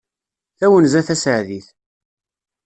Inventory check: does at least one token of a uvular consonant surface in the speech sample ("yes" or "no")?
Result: no